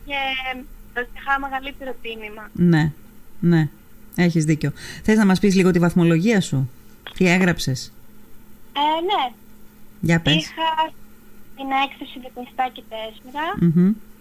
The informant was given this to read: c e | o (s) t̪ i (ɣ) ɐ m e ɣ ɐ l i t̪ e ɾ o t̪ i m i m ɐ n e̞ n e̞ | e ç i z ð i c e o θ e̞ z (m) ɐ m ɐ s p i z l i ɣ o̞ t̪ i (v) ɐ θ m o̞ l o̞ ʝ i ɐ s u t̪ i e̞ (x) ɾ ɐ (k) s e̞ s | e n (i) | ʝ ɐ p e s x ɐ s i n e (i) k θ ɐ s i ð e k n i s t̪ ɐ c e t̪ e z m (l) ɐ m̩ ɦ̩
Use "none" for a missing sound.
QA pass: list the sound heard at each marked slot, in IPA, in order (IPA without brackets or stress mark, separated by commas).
s, x, n, v, ɣ, p, e, e, ɾ